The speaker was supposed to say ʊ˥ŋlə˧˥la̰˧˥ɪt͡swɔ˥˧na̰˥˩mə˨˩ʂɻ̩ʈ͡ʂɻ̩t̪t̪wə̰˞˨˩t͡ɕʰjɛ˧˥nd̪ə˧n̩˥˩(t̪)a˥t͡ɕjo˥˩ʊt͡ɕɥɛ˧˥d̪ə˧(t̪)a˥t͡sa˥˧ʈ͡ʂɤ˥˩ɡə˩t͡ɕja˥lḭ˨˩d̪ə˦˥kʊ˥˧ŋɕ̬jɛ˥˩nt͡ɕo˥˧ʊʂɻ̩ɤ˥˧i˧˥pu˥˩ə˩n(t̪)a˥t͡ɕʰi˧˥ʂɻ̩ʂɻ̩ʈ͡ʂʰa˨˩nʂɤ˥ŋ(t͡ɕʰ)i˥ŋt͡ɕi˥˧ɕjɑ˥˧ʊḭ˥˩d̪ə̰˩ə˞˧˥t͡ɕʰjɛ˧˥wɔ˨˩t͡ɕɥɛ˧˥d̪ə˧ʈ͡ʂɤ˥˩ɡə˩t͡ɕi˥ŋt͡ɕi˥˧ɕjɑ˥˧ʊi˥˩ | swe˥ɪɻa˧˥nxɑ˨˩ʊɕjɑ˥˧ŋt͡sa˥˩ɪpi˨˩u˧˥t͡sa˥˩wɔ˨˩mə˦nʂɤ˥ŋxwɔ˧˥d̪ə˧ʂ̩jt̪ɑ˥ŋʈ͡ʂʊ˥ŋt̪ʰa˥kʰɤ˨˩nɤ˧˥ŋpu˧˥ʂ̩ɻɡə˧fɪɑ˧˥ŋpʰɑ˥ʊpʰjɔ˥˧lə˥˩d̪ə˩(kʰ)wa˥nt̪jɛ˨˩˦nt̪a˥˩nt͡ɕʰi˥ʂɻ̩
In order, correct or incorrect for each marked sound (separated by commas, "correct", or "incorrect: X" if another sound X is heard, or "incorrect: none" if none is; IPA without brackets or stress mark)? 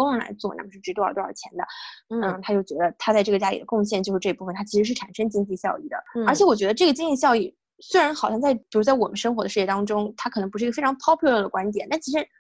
incorrect: t̪ʰ, incorrect: t̪ʰ, incorrect: t̪ʰ, incorrect: t͡ɕ, incorrect: k